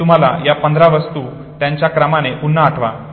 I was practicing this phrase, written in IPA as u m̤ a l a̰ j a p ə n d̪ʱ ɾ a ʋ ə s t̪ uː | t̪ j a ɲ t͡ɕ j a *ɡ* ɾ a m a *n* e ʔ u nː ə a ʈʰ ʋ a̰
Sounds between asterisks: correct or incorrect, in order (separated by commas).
incorrect, correct